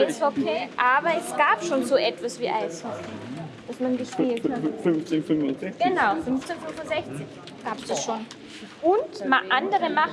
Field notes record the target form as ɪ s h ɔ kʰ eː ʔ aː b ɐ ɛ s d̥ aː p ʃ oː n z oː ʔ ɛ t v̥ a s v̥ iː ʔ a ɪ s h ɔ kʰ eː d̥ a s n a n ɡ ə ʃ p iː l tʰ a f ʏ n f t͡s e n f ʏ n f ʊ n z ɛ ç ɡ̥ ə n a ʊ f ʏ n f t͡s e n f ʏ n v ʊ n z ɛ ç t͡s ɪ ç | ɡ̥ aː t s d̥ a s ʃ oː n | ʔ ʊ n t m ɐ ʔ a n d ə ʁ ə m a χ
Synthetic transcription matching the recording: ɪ s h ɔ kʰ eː ʔ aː b ɐ ɛ s ɡ̥ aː p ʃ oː n z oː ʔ ɛ t v̥ a s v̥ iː ʔ a ɪ s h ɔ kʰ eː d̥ a s m a n ɡ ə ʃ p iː l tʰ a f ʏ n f t͡s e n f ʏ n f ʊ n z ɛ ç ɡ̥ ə n a ʊ f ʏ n f t͡s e n f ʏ n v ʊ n z ɛ ç t͡s ɪ ç | ɡ̥ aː p s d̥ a s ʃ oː n | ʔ ʊ n t m a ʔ a n d ə ʁ ə m a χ